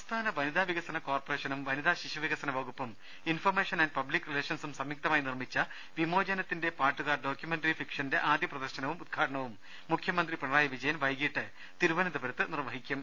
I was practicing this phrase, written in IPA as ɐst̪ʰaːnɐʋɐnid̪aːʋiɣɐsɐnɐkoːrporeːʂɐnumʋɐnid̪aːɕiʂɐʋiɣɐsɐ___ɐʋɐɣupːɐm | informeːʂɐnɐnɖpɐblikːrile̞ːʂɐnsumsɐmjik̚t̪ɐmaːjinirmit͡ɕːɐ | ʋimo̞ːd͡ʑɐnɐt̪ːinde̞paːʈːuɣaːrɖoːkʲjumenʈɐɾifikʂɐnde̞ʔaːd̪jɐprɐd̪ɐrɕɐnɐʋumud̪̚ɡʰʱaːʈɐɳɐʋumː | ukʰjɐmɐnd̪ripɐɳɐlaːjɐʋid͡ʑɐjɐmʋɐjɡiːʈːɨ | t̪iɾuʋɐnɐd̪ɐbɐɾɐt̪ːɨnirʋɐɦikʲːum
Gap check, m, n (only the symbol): n